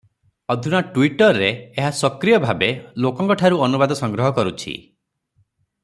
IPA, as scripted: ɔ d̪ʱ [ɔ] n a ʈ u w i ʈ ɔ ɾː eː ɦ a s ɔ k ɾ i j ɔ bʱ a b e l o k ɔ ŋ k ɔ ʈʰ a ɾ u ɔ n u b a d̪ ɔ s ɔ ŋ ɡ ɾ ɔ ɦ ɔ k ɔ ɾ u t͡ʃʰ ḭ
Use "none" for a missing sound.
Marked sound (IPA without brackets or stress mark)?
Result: u